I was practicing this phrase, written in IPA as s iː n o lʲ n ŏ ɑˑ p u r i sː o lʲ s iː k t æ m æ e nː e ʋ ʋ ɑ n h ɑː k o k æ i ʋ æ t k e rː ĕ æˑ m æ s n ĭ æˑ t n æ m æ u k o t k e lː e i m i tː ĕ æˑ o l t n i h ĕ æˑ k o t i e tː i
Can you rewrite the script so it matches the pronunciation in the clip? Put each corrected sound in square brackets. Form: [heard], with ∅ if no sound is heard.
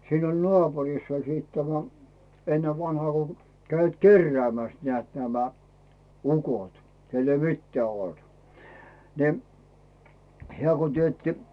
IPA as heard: s iː n o lʲ n ŏ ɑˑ p u r i sː o lʲ s iː [t] t æ m æ e nː e ʋ ʋ ɑ n h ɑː k o k æ i ʋ æ t k e rː ĕ æˑ m æ s n ĭ æˑ t n æ m æ u k o t k e lː e i m i tː ĕ æˑ o l t n i h ĕ æˑ k o t i e tː i